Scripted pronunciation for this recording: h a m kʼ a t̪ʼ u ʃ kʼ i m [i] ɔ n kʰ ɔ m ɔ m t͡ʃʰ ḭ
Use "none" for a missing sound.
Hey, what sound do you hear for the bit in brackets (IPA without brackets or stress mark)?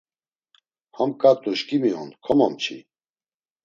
i